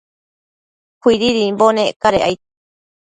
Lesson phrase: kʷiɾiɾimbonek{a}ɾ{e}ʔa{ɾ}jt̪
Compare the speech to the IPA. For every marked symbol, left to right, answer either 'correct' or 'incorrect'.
correct, correct, incorrect: none

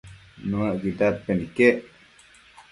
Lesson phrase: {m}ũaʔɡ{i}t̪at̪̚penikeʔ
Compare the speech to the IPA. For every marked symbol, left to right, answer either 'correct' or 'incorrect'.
incorrect: n, correct

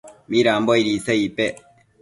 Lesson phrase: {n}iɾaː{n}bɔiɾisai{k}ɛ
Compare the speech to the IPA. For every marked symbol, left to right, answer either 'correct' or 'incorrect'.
incorrect: m, incorrect: m, incorrect: p

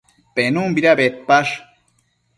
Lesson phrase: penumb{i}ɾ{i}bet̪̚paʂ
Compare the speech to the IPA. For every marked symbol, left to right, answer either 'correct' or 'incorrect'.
correct, incorrect: a

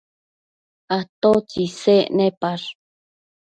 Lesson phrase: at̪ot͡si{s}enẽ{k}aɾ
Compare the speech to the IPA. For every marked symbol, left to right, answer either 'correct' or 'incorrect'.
correct, incorrect: p

